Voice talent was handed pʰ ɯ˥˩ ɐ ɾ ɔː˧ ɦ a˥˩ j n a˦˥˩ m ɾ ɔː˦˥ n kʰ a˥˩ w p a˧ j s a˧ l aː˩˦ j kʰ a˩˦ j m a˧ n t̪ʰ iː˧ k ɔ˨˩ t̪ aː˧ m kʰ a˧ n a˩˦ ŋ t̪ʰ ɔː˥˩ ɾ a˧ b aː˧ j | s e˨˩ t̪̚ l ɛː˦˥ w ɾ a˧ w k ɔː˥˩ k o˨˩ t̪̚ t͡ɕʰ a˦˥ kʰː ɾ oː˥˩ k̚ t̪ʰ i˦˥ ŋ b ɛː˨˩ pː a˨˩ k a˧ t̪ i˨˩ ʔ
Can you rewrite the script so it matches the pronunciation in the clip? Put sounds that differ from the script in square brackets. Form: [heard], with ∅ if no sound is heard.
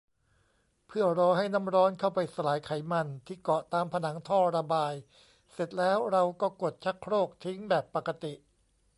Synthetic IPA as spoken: pʰ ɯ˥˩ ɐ ɾ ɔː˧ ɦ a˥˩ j n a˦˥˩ m ɾ ɔː˦˥ n kʰ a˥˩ w p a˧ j s a˧ l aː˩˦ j kʰ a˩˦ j m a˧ n t̪ʰ [iː˥˩] k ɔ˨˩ t̪ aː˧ m [pʰ] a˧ n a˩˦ ŋ t̪ʰ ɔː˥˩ ɾ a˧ b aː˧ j | s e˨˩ t̪̚ l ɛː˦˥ w ɾ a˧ w k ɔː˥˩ k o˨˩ t̪̚ t͡ɕʰ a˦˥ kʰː ɾ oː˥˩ k̚ t̪ʰ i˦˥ ŋ b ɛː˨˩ pː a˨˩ k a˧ t̪ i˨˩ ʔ